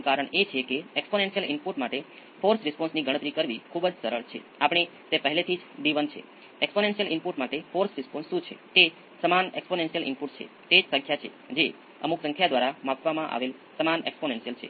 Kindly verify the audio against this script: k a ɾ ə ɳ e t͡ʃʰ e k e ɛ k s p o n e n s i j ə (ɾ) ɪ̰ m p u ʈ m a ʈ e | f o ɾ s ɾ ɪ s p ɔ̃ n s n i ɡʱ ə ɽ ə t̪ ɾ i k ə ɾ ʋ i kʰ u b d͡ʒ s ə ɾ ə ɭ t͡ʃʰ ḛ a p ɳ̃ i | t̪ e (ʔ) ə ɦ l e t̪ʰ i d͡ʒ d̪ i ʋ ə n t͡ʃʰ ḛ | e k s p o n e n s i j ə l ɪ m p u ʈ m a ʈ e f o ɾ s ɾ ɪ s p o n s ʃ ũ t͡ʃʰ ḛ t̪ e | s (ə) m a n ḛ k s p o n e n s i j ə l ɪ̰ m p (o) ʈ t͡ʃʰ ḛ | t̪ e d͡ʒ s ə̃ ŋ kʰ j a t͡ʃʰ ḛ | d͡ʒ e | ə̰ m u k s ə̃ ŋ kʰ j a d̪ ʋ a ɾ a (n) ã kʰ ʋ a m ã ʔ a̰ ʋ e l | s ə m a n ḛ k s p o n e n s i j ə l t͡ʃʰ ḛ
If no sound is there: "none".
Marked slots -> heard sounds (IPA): l, p, ə, u, m

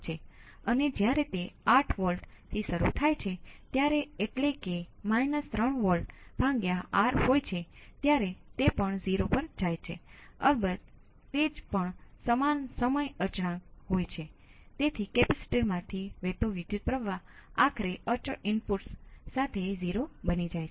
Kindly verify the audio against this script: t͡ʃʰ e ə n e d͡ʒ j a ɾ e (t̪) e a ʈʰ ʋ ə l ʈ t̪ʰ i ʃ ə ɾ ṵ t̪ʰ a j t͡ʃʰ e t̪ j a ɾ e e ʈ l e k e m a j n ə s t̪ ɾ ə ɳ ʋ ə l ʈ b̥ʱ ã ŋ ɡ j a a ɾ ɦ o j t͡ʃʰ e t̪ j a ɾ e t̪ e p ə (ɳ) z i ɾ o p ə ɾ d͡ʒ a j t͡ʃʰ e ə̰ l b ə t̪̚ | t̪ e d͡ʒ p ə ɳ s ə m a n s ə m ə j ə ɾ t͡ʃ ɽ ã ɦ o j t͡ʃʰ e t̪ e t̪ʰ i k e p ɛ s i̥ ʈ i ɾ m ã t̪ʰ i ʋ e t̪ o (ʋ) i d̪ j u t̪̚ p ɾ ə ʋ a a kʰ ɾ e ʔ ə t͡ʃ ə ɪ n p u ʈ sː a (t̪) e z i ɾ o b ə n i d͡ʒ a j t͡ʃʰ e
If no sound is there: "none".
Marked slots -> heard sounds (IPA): t̪, ɳ, ʋ, t̪ʰ

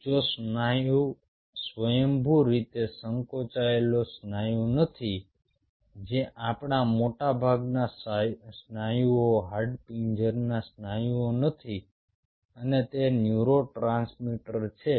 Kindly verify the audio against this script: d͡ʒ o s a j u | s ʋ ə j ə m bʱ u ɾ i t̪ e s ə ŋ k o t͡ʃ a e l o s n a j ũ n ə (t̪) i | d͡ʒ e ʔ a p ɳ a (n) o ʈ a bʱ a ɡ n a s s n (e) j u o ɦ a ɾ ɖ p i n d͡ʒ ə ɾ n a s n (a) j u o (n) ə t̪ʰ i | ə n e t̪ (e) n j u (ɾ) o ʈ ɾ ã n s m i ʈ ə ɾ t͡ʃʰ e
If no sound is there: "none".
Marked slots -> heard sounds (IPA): t̪ʰ, m, a, a, n, e, ɾ

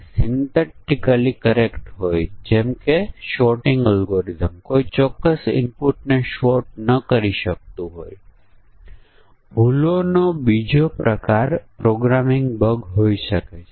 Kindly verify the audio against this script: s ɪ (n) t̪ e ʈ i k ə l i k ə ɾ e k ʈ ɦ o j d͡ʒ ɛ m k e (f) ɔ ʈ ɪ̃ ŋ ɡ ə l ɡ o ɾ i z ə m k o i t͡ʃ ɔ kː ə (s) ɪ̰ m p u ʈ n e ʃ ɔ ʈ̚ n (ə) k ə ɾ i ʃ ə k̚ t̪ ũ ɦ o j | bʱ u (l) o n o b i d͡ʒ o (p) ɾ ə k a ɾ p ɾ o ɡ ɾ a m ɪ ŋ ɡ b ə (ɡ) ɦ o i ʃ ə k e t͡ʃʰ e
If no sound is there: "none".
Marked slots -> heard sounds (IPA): n, ʃ, s, ə, l, p, ɡ

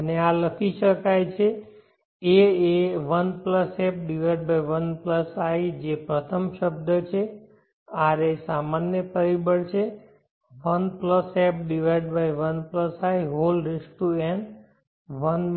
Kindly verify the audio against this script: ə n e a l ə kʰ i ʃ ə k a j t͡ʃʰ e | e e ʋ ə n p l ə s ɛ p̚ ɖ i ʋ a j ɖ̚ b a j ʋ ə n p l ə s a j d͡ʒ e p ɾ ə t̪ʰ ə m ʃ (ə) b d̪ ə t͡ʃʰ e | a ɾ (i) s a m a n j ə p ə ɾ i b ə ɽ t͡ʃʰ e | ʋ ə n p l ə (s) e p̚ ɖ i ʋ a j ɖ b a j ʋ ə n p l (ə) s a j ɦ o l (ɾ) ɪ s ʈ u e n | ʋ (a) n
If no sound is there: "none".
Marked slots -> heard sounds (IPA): ə, e, s, ə, ɾ, ə

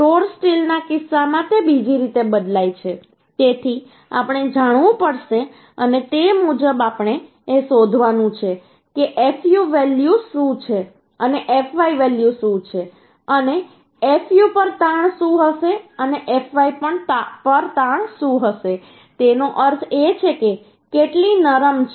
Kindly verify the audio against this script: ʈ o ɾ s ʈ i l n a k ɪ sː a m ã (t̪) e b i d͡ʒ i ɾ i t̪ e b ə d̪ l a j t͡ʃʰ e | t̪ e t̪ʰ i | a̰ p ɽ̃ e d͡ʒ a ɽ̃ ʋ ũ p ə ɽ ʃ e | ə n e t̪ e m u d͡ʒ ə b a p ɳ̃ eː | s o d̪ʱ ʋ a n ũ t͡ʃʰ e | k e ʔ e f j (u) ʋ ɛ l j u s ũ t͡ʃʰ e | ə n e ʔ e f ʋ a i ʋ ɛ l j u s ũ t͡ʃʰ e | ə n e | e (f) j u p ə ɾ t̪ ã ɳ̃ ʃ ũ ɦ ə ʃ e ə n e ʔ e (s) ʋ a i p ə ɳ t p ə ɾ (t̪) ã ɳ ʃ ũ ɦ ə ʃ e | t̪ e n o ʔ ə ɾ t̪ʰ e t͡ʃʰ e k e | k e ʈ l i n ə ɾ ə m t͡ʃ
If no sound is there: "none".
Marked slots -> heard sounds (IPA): t̪, u, f, f, t̪

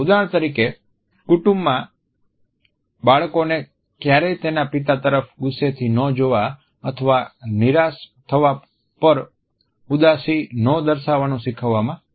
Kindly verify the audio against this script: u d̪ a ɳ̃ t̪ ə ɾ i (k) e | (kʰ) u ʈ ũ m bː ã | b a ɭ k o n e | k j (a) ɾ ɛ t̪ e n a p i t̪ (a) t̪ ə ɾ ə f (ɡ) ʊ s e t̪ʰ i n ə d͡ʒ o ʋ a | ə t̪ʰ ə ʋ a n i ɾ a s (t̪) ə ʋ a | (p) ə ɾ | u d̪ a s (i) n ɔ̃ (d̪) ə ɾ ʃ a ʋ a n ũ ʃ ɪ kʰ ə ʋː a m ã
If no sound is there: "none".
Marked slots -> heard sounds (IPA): k, k, a, a, ɡ, t̪ʰ, p, i, d̪

